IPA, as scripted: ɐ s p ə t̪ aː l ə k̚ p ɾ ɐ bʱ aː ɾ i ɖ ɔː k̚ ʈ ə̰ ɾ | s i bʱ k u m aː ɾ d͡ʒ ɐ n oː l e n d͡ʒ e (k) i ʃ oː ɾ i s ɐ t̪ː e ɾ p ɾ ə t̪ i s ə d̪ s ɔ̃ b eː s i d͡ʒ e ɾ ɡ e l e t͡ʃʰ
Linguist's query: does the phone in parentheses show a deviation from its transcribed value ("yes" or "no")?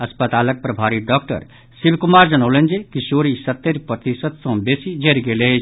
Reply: no